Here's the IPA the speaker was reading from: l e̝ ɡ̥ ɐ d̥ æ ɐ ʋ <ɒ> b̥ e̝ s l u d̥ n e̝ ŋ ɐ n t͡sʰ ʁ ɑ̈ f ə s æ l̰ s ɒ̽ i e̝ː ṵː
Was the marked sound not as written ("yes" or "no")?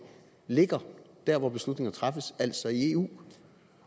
no